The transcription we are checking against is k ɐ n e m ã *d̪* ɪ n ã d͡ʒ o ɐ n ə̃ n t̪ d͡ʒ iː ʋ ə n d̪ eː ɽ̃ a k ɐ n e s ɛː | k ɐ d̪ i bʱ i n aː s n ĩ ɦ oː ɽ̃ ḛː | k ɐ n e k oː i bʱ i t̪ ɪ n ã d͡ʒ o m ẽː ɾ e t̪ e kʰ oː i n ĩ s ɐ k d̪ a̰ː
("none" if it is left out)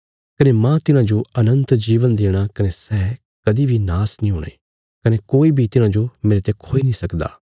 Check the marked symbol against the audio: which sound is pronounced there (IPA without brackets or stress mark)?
t̪